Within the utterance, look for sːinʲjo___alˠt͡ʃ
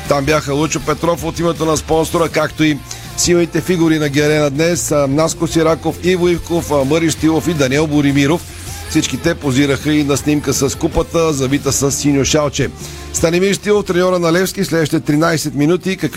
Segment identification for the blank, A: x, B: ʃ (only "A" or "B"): B